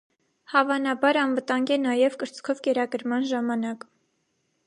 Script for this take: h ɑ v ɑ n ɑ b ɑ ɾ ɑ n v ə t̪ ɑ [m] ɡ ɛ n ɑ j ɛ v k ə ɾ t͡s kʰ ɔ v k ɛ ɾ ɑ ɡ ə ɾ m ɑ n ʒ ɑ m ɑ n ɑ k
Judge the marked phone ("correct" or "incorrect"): incorrect